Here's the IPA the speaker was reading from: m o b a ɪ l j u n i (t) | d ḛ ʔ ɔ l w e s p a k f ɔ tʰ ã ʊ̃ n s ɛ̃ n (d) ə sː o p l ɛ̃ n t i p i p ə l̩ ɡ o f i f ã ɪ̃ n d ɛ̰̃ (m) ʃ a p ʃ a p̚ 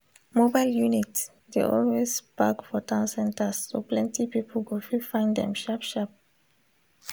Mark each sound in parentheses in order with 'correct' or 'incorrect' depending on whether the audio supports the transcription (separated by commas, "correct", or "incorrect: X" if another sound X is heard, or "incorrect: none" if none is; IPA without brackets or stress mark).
correct, incorrect: t, correct